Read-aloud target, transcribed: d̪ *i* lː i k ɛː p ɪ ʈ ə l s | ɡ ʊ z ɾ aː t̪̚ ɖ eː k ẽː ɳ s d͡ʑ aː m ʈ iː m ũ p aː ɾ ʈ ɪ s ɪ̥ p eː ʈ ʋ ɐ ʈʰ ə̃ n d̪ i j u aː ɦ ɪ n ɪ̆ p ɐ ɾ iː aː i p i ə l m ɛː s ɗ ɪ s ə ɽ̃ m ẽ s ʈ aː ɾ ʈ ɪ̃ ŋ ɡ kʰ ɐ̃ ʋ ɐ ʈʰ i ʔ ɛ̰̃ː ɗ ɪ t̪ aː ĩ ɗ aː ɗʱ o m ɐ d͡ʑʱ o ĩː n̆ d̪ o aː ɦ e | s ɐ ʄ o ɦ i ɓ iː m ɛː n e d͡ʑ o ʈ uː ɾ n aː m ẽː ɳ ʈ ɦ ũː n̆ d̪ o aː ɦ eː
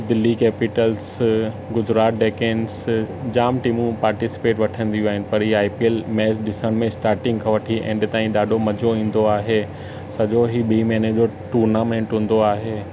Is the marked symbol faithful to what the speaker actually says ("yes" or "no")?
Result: no